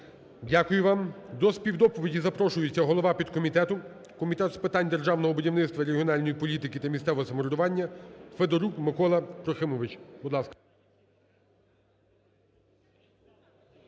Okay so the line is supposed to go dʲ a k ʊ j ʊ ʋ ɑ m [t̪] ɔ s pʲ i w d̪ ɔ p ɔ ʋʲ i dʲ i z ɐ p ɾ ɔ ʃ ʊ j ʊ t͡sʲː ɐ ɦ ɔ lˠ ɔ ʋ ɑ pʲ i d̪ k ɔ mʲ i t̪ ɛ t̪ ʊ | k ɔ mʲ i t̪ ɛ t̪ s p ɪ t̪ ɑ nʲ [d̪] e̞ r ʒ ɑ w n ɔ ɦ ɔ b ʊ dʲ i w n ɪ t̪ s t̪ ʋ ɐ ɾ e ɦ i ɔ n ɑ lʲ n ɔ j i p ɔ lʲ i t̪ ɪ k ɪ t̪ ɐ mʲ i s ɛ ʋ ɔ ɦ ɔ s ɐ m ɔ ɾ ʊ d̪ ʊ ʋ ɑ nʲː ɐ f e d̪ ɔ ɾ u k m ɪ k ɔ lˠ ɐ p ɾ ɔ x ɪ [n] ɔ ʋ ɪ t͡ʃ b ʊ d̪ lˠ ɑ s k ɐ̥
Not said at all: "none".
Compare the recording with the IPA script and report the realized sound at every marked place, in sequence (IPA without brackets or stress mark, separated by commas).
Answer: d̪, d̪, m